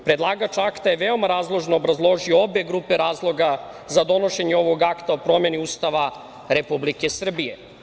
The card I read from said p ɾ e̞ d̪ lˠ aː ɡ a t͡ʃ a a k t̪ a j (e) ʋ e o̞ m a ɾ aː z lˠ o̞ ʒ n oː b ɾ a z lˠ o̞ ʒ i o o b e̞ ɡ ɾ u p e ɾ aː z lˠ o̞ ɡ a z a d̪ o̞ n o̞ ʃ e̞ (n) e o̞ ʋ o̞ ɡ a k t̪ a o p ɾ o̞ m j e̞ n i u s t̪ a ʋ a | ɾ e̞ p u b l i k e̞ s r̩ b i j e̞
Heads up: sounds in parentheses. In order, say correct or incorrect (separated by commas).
correct, incorrect